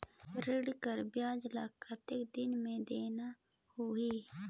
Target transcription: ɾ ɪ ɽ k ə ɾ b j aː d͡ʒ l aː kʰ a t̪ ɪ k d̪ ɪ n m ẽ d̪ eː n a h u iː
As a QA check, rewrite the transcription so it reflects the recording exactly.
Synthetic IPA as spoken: ɾ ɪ ɽ k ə ɾ b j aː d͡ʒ l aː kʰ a t̪ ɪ k d̪ ɪ n m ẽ d̪ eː n a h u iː